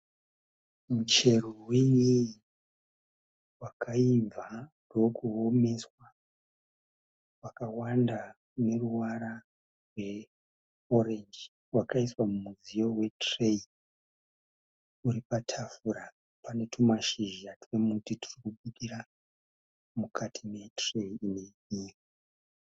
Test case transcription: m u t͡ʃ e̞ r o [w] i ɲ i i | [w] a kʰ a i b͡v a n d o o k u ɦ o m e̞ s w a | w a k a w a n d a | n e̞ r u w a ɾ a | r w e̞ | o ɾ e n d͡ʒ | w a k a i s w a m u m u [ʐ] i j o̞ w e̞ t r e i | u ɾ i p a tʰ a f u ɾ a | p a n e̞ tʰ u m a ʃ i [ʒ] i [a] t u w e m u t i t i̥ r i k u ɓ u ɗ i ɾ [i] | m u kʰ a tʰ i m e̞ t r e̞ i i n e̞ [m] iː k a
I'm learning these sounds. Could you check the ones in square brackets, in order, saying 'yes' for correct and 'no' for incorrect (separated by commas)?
yes, yes, no, yes, yes, no, no